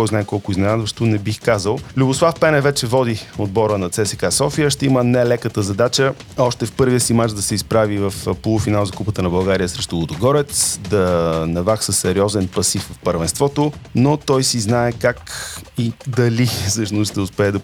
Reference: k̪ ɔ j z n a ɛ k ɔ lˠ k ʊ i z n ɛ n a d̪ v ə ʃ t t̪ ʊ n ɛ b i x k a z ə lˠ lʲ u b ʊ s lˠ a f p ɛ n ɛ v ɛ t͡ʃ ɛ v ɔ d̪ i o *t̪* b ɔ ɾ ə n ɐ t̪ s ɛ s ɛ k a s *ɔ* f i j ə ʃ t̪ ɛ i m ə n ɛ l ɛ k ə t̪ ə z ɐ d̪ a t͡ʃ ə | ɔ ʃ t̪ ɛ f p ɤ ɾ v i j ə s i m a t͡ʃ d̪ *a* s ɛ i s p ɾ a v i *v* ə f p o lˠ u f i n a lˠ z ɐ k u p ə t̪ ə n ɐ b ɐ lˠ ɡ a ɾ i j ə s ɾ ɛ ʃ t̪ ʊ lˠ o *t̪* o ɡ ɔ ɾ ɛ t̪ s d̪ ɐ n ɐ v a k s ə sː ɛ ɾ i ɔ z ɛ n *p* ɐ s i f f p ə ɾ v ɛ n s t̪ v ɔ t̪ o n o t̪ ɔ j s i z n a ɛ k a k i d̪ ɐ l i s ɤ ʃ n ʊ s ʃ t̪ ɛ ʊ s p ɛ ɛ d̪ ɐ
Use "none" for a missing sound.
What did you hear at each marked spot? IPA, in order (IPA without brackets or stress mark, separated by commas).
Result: d̪, ɔ, ɐ, v, d̪, p